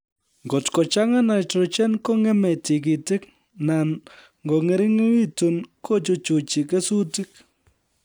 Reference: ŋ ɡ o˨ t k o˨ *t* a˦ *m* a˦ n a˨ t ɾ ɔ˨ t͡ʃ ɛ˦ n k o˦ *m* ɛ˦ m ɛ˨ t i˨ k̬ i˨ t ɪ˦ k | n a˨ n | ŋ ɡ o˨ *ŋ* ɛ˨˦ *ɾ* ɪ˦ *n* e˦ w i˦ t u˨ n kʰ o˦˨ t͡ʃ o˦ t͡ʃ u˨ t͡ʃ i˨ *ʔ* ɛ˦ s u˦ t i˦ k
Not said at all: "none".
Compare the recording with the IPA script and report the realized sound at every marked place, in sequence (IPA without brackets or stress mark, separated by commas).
t͡ʃ, ŋ, ŋ, ŋ, ɾ, ŋ, k